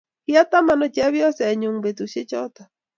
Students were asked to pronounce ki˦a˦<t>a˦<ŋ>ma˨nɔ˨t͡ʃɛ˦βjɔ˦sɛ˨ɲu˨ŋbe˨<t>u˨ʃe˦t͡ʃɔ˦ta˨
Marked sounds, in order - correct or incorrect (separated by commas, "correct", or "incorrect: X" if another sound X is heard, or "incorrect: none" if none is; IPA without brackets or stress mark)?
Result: correct, incorrect: none, correct